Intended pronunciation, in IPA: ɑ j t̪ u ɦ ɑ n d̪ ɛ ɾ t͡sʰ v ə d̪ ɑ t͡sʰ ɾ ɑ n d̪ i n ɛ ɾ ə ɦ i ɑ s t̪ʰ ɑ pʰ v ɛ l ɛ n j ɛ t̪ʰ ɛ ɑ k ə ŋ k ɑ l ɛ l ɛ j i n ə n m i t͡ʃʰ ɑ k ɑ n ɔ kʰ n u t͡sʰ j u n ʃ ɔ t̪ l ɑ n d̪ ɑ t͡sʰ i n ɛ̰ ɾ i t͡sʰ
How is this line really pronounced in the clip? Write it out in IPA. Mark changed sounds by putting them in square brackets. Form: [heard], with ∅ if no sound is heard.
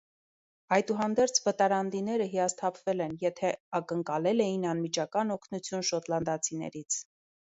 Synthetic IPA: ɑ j t̪ u ɦ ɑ n d̪ ɛ ɾ t͡sʰ v ə [t̪] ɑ [∅] ɾ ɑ n d̪ i n ɛ ɾ ə ɦ i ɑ s t̪ʰ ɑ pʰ v ɛ l ɛ n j ɛ t̪ʰ ɛ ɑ k ə ŋ k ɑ l ɛ l ɛ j i n [ɑ] n m i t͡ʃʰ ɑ k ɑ n ɔ kʰ n u t͡sʰ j u n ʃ ɔ t̪ l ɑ n d̪ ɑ t͡sʰ i n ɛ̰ ɾ i t͡sʰ